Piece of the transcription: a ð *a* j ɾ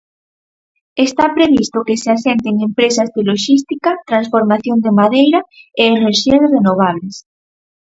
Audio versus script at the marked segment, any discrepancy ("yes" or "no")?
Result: yes